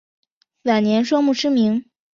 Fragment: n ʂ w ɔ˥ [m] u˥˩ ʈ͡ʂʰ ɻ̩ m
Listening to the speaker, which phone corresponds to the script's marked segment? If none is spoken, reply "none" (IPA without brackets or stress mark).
m